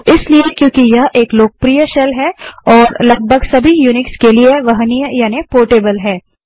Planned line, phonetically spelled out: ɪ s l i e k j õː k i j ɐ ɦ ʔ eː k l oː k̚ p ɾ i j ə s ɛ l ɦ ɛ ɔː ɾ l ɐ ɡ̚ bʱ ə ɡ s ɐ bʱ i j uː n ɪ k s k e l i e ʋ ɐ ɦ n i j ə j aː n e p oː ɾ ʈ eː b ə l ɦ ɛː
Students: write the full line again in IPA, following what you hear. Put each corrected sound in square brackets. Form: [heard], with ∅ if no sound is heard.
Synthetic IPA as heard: ɪ s l i e k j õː k i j ɐ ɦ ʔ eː k l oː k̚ p ɾ i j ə [ʃ] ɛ l ɦ ɛ ɔː ɾ l ɐ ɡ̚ bʱ ə ɡ s ɐ bʱ i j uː n ɪ k s k e l i e ʋ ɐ ɦ n i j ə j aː n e p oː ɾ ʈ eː b ə l ɦ ɛː